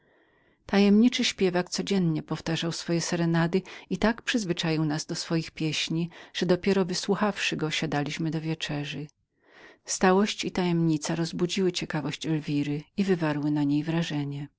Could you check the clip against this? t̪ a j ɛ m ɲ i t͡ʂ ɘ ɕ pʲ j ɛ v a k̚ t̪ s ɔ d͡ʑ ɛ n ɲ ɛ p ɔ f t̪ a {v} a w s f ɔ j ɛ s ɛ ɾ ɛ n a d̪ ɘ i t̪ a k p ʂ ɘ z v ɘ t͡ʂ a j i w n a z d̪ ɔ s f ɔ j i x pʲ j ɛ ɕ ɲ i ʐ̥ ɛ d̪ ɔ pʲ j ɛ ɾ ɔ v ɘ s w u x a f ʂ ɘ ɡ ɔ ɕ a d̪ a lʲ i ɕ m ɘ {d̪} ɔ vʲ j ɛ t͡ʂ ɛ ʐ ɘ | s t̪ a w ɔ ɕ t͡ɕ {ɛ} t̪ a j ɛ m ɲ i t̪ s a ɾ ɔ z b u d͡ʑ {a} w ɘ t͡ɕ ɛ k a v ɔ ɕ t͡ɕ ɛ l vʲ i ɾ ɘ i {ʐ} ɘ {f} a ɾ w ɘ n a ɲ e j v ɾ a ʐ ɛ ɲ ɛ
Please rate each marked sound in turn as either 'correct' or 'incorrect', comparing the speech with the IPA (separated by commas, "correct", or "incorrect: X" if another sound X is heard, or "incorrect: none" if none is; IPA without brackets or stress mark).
incorrect: ʐ, correct, incorrect: i, incorrect: i, incorrect: v, incorrect: v